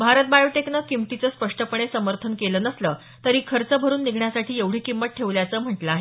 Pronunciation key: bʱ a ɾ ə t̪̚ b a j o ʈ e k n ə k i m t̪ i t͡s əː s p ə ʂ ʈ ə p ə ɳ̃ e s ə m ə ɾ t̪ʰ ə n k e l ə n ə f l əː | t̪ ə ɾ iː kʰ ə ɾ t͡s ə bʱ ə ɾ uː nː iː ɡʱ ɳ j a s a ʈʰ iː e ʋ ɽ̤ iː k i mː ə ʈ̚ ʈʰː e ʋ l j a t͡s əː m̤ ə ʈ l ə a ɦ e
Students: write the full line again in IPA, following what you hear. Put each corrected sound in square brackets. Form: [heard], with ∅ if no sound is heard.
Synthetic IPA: bʱ a ɾ ə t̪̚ b a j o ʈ e k n ə k i m t̪ i t͡s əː s p ə ʂ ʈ ə p ə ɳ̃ e s ə m ə ɾ t̪ʰ ə n k e l ə n ə [s] l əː | t̪ ə ɾ iː kʰ ə ɾ t͡s ə bʱ ə ɾ uː nː [i] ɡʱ ɳ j a s a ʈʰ iː e ʋ ɽ̤ iː k i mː ə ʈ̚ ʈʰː e ʋ l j a t͡s əː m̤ ə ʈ l ə a ɦ e